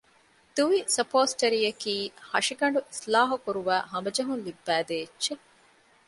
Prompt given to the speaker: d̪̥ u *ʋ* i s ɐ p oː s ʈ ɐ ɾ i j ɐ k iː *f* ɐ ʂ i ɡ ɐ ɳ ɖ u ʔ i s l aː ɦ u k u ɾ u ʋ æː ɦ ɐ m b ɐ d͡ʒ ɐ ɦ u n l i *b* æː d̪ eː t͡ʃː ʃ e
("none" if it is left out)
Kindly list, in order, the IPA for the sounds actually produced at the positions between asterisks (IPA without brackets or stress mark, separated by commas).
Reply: ʋ, h, bː